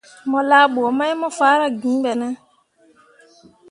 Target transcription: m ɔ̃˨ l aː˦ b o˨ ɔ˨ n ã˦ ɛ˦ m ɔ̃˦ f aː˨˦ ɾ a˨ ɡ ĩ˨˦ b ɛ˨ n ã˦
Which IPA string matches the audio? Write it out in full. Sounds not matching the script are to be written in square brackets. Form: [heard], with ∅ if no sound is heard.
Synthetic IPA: m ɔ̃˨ l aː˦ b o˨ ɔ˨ [m] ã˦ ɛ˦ m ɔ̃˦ f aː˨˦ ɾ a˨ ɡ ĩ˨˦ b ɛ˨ n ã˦